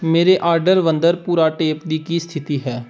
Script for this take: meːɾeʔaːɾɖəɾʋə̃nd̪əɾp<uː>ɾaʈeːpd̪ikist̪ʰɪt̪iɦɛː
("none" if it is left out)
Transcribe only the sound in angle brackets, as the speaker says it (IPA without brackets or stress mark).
uː